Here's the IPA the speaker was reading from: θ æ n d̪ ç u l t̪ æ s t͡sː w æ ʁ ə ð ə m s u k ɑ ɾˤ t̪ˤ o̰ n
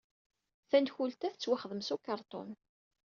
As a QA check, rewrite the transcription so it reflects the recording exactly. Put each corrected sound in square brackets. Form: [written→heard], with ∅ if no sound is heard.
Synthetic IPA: θ æ n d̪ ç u l t̪ æ [s→θ] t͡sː w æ [ʁ→χ] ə ð ə m s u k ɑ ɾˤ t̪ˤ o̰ n